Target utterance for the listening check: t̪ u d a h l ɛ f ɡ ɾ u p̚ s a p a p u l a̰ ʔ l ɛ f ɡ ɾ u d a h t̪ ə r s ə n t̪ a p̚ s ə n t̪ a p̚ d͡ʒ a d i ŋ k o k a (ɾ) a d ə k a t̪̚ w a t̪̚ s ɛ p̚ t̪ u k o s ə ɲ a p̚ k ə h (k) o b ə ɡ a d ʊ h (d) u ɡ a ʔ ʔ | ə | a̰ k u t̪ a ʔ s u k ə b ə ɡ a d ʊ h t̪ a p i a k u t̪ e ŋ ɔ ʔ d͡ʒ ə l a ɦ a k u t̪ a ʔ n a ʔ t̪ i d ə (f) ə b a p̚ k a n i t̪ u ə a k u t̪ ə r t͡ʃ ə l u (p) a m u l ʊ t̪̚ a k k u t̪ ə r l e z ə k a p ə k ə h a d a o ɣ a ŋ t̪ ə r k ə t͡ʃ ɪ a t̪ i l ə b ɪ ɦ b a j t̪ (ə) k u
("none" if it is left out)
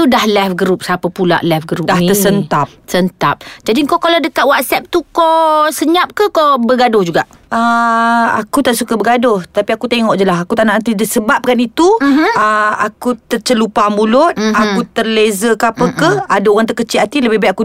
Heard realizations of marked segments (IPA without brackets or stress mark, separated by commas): l, k, d͡ʒ, s, p, a